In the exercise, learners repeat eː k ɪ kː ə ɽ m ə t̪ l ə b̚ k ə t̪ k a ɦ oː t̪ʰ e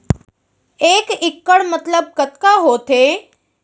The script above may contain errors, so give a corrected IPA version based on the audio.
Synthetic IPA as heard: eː k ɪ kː ə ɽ m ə t̪ l ə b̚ k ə t̪ k a ɦ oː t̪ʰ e